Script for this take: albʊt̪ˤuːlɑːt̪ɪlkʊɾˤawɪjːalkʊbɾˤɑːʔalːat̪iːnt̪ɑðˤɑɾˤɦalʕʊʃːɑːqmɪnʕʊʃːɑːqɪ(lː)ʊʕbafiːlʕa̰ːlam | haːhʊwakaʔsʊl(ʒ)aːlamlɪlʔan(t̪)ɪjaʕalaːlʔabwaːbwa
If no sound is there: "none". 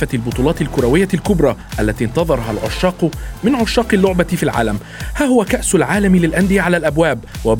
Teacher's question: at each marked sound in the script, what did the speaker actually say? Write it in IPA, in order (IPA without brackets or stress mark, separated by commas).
lː, ʕ, d̪